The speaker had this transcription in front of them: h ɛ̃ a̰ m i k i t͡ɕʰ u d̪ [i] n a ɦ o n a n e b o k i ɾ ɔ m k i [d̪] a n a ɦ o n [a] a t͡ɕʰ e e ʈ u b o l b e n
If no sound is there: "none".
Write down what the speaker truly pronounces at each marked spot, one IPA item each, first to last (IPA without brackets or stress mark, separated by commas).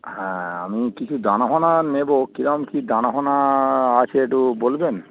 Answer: a, d̪, a